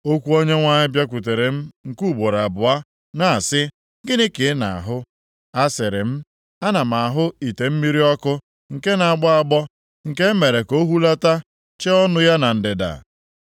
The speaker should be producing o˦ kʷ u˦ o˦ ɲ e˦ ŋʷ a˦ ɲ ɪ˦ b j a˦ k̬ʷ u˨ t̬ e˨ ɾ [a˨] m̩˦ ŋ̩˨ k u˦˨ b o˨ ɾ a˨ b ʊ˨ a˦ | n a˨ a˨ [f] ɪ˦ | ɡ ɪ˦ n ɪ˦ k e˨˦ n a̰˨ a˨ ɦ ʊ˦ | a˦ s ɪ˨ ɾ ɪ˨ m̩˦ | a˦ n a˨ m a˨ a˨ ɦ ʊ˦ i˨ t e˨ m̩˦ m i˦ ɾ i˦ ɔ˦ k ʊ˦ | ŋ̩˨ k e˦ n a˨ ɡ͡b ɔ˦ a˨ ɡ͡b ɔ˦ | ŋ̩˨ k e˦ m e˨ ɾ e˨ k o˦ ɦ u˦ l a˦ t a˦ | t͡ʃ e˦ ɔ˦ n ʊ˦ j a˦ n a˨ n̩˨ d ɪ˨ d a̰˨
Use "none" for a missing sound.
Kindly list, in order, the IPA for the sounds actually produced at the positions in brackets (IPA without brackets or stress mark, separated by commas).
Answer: e˨, s